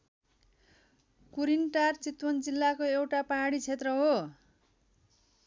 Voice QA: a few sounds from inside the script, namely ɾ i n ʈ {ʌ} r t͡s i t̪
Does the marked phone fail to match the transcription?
yes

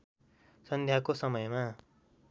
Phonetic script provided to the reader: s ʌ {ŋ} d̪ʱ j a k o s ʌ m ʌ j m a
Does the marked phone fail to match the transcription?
yes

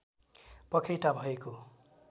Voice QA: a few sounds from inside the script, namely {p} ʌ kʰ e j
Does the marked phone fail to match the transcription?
no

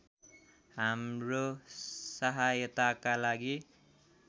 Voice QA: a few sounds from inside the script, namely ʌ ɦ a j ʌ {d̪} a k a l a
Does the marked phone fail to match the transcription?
yes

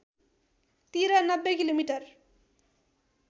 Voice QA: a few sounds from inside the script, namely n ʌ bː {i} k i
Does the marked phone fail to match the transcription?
yes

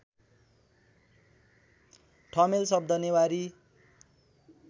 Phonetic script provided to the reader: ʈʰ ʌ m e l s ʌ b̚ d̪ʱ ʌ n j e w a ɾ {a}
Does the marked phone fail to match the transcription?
yes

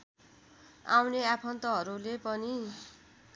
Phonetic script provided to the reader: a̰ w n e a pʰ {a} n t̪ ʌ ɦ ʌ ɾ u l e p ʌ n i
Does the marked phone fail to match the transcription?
yes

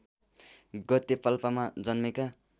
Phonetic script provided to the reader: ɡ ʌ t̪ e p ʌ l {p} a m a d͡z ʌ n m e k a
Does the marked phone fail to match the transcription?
no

